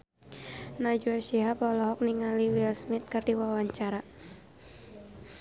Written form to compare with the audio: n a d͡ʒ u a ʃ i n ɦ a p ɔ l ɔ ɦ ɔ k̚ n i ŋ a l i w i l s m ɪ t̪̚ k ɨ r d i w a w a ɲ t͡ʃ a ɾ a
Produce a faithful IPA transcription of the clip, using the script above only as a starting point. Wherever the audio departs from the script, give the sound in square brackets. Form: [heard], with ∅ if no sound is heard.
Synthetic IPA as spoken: n a d͡ʒ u a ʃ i [∅] ɦ a p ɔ l ɔ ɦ ɔ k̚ n i ŋ a l i w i l s m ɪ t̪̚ k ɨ r d i w a w a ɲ t͡ʃ a ɾ a